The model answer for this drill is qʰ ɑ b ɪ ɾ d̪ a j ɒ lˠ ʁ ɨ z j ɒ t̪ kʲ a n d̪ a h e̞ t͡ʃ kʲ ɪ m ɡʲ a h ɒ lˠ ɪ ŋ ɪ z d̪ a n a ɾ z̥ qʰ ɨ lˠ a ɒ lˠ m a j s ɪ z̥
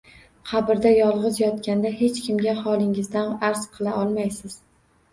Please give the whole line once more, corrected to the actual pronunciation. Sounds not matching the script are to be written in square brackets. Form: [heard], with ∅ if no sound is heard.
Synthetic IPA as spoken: qʰ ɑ b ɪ ɾ d̪ a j ɒ lˠ ʁ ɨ z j ɒ t̪ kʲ a n d̪ a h e̞ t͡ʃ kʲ ɪ m ɡʲ a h ɒ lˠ ɪ ŋ ɪ z d̪ a n a ɾ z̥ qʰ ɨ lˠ a ɒ lˠ m a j s ɪ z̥